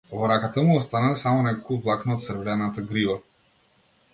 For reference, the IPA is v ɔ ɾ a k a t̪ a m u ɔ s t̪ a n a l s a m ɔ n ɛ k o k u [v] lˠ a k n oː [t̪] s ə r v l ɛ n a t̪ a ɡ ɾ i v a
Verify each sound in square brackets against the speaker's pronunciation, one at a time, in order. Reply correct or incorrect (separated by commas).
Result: correct, correct